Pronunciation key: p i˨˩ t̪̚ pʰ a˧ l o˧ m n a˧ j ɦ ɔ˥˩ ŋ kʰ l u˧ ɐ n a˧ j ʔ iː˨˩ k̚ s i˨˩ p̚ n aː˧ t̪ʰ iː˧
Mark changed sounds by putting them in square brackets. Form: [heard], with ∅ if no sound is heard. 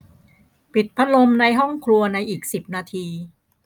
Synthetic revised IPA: p i˨˩ t̪̚ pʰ [a˦˥] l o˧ m n a˧ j ɦ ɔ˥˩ ŋ kʰ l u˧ ɐ n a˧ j ʔ iː˨˩ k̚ s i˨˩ p̚ n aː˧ t̪ʰ iː˧